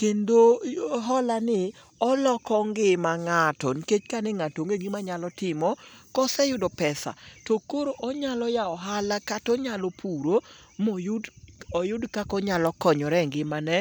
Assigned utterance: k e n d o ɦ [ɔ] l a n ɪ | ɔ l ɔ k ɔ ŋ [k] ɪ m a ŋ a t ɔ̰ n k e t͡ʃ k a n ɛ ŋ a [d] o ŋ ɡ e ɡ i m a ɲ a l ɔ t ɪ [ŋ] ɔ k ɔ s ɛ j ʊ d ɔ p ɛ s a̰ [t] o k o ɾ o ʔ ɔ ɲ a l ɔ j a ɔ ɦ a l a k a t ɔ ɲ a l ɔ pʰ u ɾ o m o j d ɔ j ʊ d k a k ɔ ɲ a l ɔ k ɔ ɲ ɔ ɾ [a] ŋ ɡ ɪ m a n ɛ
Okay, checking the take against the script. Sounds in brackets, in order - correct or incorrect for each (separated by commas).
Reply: correct, incorrect, incorrect, incorrect, correct, incorrect